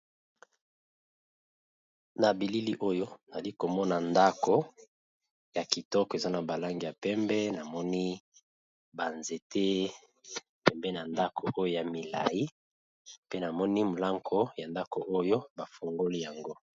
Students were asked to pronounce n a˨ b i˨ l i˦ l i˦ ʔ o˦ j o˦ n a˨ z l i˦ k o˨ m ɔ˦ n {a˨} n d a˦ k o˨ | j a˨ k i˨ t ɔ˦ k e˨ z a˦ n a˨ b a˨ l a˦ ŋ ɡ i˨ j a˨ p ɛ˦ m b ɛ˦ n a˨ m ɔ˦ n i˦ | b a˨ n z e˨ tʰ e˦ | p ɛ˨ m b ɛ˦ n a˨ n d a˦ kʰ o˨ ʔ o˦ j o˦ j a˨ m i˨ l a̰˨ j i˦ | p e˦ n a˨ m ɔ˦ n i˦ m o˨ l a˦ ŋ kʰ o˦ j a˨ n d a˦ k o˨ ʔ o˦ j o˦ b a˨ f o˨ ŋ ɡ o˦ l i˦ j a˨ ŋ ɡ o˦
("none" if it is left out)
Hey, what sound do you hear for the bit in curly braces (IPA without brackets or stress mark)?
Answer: a˨